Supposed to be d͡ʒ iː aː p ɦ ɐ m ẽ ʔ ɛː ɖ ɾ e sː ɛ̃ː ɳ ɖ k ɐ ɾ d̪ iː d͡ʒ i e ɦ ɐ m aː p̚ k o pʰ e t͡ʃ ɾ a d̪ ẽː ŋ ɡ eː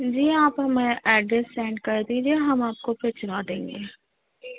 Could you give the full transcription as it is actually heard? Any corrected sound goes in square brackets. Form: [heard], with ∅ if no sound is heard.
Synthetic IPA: d͡ʒ iː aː p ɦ ɐ m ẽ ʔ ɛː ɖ ɾ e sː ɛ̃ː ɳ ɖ k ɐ ɾ d̪ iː d͡ʒ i e ɦ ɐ m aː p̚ k o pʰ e t͡ʃ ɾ a d̪ ẽː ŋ ɡ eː